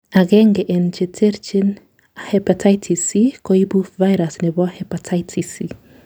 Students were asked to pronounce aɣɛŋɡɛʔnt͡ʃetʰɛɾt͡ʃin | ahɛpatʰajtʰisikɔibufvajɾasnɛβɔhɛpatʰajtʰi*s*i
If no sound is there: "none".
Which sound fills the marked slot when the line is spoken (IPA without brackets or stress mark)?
s